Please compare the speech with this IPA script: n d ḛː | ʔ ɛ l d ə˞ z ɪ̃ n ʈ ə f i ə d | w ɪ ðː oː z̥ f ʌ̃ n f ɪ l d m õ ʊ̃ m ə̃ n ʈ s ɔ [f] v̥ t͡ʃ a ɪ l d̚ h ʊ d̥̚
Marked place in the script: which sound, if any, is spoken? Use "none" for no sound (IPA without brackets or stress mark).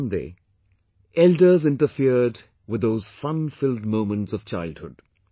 none